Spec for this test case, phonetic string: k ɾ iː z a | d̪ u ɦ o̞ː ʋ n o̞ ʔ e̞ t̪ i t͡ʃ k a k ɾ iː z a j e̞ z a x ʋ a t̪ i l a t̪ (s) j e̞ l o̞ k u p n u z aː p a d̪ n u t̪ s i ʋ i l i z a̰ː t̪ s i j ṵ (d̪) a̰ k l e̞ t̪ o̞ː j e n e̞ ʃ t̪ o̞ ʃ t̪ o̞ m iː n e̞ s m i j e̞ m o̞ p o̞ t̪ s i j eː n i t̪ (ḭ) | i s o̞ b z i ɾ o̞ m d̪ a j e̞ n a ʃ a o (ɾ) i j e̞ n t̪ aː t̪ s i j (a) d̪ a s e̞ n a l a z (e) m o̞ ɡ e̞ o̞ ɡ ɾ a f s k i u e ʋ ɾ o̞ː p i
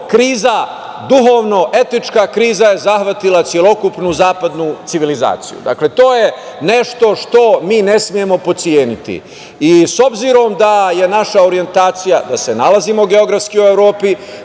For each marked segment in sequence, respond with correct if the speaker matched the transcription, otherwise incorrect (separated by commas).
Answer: correct, correct, correct, correct, correct, incorrect